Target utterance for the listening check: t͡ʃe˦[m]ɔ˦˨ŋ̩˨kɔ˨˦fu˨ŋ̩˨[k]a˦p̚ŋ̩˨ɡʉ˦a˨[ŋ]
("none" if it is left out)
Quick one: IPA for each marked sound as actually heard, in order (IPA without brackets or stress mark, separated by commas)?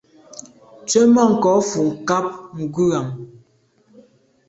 m, k, m